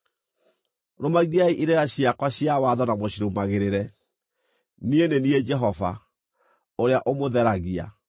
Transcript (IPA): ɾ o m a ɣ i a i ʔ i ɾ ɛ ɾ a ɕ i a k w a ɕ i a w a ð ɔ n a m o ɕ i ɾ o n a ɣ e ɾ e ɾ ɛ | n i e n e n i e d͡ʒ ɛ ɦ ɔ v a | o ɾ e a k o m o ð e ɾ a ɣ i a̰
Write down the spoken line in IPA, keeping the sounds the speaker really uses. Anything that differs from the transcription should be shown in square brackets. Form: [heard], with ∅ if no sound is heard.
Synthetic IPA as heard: ɾ o m a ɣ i a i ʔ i ɾ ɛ ɾ a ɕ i a k w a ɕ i a w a ð ɔ n a m o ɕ i ɾ o [m] a ɣ e ɾ e ɾ ɛ | n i e n e n i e d͡ʒ ɛ ɦ ɔ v a | o ɾ e a [ʔ] o m o ð [ɛ] ɾ a ɣ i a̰